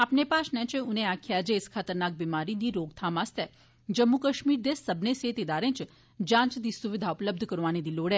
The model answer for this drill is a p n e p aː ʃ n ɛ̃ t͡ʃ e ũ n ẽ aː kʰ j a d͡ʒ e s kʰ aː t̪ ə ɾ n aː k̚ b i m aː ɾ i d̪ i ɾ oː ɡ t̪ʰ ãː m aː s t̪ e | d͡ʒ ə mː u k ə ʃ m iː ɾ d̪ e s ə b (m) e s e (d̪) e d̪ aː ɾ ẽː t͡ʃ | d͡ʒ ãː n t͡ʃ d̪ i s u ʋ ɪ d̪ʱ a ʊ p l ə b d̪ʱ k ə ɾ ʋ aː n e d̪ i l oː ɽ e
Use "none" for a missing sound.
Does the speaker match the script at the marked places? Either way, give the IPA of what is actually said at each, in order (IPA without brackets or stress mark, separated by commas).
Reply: n, t̪